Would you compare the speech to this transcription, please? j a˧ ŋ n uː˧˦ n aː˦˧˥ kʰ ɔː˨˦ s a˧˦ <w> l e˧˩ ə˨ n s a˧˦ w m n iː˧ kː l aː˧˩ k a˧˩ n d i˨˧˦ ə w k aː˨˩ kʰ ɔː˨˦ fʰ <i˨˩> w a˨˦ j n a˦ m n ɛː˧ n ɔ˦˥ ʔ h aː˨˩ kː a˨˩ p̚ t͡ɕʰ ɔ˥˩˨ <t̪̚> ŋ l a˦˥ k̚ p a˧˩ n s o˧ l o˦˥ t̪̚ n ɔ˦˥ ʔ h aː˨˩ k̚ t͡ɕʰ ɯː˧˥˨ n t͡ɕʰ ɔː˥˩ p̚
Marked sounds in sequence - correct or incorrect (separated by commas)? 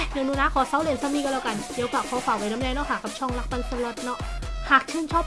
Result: correct, incorrect, incorrect